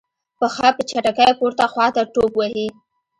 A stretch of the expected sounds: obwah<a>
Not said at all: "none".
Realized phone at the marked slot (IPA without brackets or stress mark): i